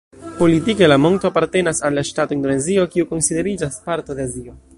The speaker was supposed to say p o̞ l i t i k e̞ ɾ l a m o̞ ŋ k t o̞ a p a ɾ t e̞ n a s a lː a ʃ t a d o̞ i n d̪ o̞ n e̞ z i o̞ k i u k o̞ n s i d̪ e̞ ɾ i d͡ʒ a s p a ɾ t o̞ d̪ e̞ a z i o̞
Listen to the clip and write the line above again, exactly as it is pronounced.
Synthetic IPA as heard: p o̞ l i t i k e̞ l a m o̞ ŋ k t o̞ a p a ɾ t e̞ n a s a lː a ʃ t a t o̞ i n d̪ o̞ n e̞ z i o̞ k i u k o̞ n s i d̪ e̞ ɾ i d͡ʒ a s p a ɾ t o̞ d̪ e̞ a z i o̞